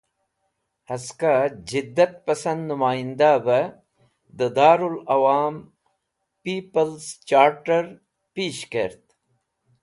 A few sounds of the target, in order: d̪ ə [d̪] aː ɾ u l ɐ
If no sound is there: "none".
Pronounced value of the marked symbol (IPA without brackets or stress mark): d̪